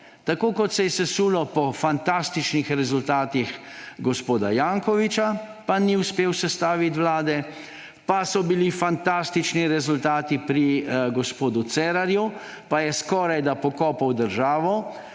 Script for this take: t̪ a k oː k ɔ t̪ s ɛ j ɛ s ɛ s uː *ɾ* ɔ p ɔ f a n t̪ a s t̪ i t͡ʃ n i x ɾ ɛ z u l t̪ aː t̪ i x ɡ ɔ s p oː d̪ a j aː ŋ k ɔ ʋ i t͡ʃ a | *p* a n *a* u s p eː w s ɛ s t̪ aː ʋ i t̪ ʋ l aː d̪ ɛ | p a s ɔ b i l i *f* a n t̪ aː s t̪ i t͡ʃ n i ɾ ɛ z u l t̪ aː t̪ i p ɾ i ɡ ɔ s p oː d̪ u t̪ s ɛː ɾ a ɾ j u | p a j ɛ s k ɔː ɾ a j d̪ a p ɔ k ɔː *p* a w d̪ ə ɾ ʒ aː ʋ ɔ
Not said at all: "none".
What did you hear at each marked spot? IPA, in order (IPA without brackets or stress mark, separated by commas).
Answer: l, p, i, f, p